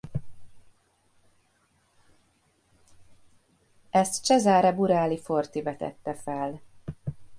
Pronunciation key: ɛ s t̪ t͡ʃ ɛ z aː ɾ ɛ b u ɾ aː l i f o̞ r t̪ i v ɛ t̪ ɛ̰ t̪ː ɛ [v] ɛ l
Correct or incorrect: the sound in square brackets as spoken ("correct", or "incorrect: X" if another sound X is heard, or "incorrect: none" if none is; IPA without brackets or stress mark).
incorrect: f